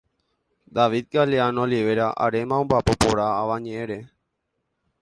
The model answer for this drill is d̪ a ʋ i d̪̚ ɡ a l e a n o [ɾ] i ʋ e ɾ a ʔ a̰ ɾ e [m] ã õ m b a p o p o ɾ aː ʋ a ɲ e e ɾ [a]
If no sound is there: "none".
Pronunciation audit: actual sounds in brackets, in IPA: l, m, e

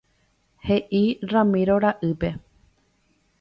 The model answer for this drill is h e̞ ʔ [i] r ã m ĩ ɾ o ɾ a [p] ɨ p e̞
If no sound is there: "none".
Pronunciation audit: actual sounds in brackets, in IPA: i, ʔ

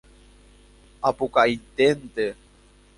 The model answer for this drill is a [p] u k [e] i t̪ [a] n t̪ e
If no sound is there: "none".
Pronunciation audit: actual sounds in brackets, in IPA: p, a, e

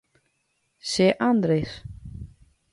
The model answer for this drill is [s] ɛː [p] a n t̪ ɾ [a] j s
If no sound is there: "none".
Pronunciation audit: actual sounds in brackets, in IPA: s, ʔ, e

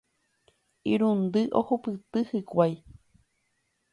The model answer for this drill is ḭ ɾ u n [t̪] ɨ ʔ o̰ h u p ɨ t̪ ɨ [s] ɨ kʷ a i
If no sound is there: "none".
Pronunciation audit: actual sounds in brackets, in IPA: d̪, h

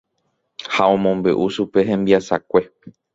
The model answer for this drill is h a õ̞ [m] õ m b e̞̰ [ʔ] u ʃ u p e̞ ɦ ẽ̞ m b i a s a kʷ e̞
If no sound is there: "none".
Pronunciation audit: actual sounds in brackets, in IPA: m, ʔ

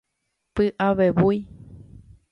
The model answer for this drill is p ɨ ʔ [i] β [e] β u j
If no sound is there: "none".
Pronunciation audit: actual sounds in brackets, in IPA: a, e

